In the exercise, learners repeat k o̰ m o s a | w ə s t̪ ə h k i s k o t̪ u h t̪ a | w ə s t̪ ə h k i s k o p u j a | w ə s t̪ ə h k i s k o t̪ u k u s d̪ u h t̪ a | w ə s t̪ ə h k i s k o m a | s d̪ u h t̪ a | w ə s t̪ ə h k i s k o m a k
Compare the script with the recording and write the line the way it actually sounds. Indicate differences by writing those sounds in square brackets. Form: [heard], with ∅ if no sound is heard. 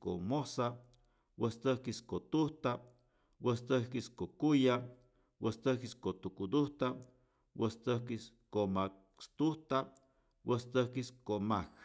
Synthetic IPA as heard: k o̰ m o s a | w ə s t̪ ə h k i s k o t̪ u h t̪ a | w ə s t̪ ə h k i s k o [k] u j a | w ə s t̪ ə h k i s k o t̪ u k u [∅] d̪ u h t̪ a | w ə s t̪ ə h k i s k o m a | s [t̪] u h t̪ a | w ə s t̪ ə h k i s k o m a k